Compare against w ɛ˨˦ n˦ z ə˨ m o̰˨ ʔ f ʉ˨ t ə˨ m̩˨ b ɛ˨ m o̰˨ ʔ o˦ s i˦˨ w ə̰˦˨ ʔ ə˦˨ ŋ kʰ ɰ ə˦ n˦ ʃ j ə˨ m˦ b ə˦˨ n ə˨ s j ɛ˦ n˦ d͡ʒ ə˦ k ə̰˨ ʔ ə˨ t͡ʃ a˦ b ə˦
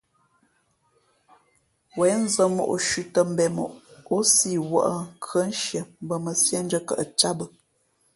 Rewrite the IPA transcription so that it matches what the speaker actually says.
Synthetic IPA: w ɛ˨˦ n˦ z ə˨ m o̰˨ ʔ ʃ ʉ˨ t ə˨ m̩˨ b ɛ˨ m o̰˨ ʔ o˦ s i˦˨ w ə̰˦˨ ʔ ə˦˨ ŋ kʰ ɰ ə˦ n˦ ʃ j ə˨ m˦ b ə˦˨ m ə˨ s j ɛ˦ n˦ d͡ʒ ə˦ k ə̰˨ ʔ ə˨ t͡ʃ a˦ b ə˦